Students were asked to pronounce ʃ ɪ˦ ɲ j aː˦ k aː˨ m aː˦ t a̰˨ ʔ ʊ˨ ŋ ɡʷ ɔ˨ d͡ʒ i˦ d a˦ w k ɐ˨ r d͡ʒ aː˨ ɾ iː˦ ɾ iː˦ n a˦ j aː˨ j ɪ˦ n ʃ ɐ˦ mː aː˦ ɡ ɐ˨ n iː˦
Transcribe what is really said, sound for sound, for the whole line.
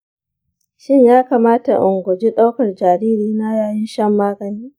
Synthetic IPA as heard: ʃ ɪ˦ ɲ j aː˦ k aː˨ m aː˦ t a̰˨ ʔ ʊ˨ ŋ ɡʷ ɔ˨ d͡ʒ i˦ ɗ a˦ w k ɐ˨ r d͡ʒ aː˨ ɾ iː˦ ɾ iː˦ n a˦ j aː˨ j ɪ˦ n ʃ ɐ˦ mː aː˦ ɡ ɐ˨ n iː˦